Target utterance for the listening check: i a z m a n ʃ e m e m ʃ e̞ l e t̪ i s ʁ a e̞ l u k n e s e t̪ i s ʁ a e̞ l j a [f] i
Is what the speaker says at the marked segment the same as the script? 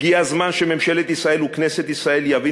no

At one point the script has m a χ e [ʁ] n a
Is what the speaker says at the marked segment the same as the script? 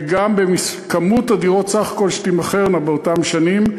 yes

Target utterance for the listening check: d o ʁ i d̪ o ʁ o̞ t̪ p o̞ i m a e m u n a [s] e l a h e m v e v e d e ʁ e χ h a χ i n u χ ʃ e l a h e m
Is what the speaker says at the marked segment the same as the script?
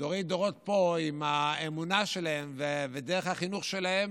no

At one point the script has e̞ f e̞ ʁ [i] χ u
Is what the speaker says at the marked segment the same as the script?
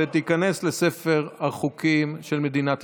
no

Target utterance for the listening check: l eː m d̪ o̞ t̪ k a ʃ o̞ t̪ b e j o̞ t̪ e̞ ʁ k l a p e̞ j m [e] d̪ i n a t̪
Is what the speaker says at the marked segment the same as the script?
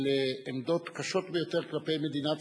yes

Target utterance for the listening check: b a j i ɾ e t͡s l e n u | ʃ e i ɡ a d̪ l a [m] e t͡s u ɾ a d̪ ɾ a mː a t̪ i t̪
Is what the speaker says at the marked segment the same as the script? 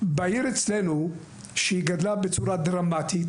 no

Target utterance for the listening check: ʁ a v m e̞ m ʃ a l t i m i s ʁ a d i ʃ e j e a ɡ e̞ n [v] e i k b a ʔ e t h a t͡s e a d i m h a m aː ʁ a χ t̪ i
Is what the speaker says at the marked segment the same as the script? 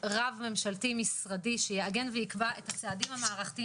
yes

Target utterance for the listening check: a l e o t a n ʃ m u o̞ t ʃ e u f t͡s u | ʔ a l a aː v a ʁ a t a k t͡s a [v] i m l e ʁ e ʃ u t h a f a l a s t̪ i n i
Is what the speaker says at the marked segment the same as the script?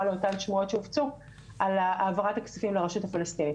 no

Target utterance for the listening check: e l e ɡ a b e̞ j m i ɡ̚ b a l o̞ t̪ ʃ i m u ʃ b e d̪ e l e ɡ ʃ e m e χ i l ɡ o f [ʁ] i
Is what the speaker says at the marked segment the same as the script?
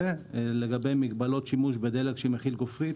yes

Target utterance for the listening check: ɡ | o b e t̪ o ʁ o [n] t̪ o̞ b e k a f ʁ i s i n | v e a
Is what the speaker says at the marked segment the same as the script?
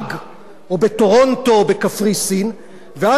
yes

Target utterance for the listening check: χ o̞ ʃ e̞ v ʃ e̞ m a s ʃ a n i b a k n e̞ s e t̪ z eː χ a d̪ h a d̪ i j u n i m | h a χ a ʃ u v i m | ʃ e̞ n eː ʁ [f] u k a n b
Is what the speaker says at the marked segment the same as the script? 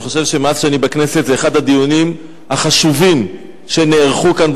no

